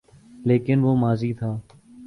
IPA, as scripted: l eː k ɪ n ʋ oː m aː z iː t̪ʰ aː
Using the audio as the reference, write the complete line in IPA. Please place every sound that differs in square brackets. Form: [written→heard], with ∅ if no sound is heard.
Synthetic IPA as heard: l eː k ɪ n ʋ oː m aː z iː t̪ʰ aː